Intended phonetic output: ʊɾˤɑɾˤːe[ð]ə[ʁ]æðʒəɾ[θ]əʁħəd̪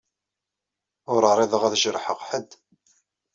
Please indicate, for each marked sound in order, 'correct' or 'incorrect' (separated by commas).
correct, correct, incorrect